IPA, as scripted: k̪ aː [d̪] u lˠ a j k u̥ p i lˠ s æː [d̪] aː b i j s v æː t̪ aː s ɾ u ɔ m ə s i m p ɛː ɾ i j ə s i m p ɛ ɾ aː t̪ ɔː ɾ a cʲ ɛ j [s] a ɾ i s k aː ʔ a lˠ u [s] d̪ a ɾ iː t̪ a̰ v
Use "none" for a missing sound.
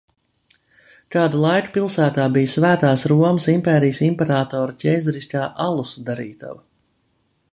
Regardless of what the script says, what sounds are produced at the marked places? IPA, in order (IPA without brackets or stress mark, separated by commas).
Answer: d̪, t̪, z, s